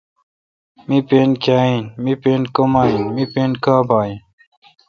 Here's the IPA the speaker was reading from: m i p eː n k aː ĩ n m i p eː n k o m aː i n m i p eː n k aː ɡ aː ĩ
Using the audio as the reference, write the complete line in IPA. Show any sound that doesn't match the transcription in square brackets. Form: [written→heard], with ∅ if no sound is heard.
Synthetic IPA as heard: m i p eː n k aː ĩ n m i p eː n k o m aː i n m i p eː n k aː [ɡ→b] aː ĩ